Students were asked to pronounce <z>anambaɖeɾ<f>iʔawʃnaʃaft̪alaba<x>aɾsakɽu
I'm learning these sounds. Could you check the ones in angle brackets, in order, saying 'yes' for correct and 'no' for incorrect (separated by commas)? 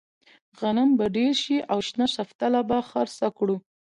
no, no, yes